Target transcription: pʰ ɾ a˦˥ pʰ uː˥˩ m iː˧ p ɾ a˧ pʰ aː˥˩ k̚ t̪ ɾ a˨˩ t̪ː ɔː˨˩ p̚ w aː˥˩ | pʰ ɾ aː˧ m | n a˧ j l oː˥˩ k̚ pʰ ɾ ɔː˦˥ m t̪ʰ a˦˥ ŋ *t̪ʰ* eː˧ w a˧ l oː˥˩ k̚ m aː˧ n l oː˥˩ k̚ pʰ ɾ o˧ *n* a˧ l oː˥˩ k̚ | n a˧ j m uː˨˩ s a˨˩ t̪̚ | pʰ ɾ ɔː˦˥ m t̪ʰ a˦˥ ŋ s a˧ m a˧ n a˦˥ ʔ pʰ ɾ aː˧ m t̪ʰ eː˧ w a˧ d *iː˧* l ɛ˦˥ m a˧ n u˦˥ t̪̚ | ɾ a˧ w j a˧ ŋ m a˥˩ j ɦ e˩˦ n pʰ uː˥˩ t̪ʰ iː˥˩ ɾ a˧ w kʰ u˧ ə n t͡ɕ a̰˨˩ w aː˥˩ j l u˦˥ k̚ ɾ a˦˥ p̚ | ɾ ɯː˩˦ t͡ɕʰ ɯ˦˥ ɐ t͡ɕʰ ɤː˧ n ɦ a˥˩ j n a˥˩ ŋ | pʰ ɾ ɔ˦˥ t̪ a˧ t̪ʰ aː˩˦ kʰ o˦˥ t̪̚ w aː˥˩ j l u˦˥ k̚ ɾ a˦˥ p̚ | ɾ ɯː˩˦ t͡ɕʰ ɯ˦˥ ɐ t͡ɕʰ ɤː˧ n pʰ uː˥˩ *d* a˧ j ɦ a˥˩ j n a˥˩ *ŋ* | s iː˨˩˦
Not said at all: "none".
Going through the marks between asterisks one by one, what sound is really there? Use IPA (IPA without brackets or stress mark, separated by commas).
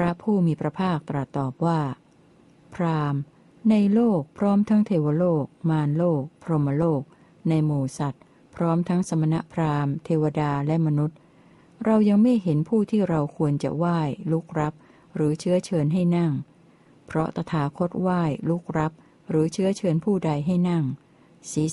t̪ʰ, m, aː˧, d, ŋ